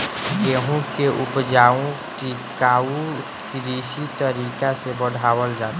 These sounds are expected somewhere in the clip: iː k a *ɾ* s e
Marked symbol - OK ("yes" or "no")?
no